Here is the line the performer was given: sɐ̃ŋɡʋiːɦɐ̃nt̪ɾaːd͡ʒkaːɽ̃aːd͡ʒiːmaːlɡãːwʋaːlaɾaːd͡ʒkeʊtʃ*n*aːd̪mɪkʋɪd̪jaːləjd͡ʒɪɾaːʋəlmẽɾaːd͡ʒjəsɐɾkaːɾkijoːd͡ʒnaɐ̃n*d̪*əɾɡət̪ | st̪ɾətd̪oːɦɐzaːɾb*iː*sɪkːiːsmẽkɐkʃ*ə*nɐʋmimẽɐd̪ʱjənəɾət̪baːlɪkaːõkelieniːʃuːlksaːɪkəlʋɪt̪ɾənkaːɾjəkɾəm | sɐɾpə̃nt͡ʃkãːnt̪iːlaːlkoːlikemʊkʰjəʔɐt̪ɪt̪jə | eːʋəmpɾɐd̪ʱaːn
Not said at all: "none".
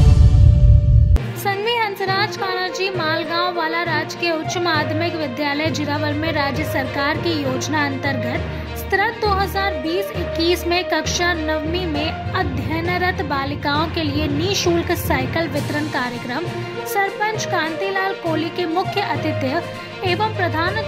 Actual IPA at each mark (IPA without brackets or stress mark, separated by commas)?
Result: m, t̪, iː, a